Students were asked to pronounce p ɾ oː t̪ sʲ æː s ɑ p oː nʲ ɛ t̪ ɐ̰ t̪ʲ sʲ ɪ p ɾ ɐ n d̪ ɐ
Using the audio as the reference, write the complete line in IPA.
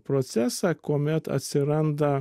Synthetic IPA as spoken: p ɾ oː t̪ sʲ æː s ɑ k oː mʲ ɛ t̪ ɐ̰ t̪ʲ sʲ ɪ ɾ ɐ n d̪ ɐ

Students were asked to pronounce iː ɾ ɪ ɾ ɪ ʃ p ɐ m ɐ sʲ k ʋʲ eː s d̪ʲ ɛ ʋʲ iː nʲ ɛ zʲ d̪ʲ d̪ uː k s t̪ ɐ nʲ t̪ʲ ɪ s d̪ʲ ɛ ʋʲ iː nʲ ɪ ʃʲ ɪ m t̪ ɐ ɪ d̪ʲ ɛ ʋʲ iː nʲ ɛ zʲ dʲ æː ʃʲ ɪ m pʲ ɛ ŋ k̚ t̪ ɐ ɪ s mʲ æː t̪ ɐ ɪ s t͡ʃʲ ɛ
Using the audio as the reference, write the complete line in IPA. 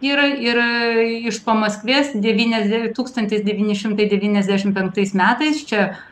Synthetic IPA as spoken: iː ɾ ɪ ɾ ɪ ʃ p ɐ m ɐ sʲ k ʋʲ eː s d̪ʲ ɛ ʋʲ iː nʲ ɛ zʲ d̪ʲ t̪ uː k s t̪ ɐ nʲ t̪ʲ ɪ s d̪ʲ ɛ ʋʲ iː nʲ ɪ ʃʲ ɪ m t̪ ɐ ɪ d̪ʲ ɛ ʋʲ iː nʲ ɛ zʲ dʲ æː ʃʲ ɪ m pʲ ɛ ŋ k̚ t̪ ɐ ɪ s mʲ æː t̪ ɐ ɪ s t͡ʃʲ ɛ

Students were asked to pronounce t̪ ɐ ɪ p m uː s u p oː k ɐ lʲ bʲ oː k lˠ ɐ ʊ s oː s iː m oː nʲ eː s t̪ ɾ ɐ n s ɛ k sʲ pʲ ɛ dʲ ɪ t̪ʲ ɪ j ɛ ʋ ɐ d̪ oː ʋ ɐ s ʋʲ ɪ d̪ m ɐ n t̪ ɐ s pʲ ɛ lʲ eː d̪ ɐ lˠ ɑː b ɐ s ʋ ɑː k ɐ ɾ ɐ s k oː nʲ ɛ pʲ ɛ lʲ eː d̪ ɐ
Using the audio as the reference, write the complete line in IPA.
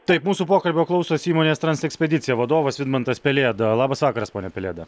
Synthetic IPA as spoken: t̪ ɐ ɪ p m uː s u p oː k ɐ lʲ bʲ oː k lˠ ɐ ʊ s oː s iː m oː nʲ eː s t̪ ɾ ɐ n s ɛ k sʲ pʲ ɛ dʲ ɪ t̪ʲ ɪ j ɛ ʋ ɐ d̪ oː ʋ ɐ s ʋʲ ɪ d̪ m ɐ n t̪ ɐ s pʲ ɛ lʲ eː d̪ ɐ lˠ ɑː b ɐ s ʋ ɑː k ɐ ɾ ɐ s p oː nʲ ɛ pʲ ɛ lʲ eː d̪ ɐ

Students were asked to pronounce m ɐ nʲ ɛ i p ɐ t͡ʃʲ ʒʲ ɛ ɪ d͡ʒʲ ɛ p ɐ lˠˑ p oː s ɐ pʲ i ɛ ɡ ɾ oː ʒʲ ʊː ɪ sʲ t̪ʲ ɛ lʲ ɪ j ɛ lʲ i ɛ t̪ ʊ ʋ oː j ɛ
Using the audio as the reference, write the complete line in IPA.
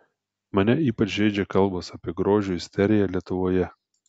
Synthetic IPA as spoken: m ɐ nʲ ɛ iː p ɐ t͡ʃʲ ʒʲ ɛ ɪ d͡ʒʲ ɛ k ɐ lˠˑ b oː s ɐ pʲ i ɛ ɡ ɾ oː ʒʲ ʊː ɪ sʲ t̪ʲ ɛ ɾʲ ɪ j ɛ lʲ i ɛ t̪ ʊ ʋ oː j ɛ

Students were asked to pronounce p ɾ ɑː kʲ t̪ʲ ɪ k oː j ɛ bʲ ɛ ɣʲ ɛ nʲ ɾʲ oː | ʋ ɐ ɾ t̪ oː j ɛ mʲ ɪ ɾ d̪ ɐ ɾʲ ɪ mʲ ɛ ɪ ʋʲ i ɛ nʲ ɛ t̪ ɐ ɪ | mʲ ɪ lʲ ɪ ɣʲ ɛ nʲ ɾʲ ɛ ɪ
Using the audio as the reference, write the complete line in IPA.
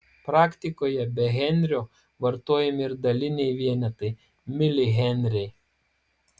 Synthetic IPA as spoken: p ɾ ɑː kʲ t̪ʲ ɪ k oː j ɛ bʲ ɛ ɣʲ ɛ nʲ ɾʲ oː | ʋ ɐ ɾ t̪ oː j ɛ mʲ ɪ ɾ d̪ ɐ lʲ ɪ nʲ ɛ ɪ ʋʲ i ɛ nʲ ɛ t̪ ɐ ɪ | mʲ ɪ lʲ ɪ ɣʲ ɛ nʲ ɾʲ ɛ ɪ

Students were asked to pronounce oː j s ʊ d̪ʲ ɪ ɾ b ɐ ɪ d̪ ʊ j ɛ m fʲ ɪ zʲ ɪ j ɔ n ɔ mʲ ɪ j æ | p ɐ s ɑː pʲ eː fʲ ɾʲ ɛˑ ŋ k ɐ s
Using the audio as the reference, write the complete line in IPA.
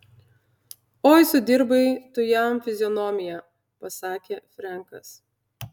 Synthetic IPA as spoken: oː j s ʊ d̪ʲ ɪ ɾ b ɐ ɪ t̪ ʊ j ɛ m fʲ ɪ zʲ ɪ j ɔ n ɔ mʲ ɪ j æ | p ɐ s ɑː kʲ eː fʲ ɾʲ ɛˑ ŋ k ɐ s

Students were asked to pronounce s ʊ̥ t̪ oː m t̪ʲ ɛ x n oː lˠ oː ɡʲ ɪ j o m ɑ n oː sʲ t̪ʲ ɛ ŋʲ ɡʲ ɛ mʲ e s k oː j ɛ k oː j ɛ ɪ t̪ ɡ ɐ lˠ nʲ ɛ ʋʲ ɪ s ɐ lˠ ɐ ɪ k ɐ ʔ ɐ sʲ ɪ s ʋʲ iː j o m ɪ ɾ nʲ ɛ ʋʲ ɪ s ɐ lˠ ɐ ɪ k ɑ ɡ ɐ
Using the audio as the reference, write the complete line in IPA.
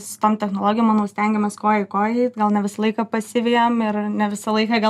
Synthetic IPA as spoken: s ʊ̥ t̪ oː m t̪ʲ ɛ x n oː lˠ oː ɡʲ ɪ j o m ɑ n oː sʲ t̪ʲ ɛ ŋʲ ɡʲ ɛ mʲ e s k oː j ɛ k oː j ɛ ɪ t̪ ɡ ɐ lˠ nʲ ɛ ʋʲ ɪ s ɐ lˠ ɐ ɪ k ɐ p ɐ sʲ ɪ ʋʲ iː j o m ɪ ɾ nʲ ɛ ʋʲ ɪ s ɐ lˠ ɐ ɪ k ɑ ɡ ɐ

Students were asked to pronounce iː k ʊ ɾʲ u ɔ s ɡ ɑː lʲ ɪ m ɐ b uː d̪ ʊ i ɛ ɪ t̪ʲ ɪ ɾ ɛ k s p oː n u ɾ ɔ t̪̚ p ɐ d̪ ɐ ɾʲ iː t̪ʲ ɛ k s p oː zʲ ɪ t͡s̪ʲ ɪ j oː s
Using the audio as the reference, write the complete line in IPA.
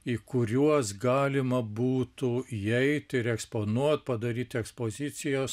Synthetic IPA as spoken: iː k ʊ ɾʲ u ɔ s ɡ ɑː lʲ ɪ m ɐ b uː t̪ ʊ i ɛ ɪ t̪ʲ ɪ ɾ ɛ k s p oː n u ɔ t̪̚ p ɐ d̪ ɐ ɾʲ iː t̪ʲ ɛ k s p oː zʲ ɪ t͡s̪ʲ ɪ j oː s

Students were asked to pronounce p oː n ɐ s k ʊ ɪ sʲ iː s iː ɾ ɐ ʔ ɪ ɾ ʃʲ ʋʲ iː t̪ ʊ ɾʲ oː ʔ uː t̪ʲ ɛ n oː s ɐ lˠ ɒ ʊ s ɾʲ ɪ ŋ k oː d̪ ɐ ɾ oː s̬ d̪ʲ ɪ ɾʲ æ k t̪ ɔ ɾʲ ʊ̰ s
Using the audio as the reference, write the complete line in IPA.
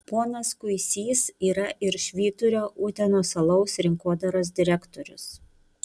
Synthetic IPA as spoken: p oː n ɐ s k ʊ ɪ sʲ iː s iː ɾ ɐ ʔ ɪ ɾ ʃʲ ʋʲ iː t̪ ʊ ɾʲ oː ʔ uː t̪ʲ ɛ n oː s ɐ lˠ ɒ ʊ s ɾʲ ɪ ŋ k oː d̪ ɐ ɾ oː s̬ d̪ʲ ɪ ɾʲ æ k t̪ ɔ ɾʲ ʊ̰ s

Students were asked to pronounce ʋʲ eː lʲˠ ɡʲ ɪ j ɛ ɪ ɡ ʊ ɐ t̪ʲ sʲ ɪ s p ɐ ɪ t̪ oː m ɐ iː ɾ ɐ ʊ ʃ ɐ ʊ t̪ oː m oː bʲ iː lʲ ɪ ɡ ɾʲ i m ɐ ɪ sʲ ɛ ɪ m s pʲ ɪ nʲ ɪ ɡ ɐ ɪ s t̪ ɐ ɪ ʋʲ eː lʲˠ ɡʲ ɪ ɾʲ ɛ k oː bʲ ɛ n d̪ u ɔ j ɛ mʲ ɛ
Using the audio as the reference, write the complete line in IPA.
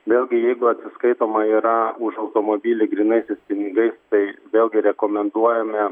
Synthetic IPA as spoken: ʋʲ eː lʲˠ ɡʲ ɪ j ɛ ɪ ɡ ʊ ɐ t̪ʲ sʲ ɪ s k ɐ ɪ t̪ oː m ɐ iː ɾ ɐ ʊ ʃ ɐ ʊ t̪ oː m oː bʲ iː lʲ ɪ ɡ ɾʲ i n ɐ ɪ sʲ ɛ ɪ s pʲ ɪ nʲ ɪ ɡ ɐ ɪ s t̪ ɐ ɪ ʋʲ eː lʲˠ ɡʲ ɪ ɾʲ ɛ k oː mʲ ɛ n d̪ u ɔ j ɛ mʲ ɛ

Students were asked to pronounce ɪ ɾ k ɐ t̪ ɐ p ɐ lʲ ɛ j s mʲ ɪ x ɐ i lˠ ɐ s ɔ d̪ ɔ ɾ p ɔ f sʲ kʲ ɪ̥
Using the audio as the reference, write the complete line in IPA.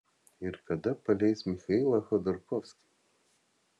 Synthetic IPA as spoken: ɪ ɾ k ɐ d̪ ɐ p ɐ lʲ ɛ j s mʲ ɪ x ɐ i lˠ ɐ x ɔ d̪ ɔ ɾ k ɔ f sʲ kʲ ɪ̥

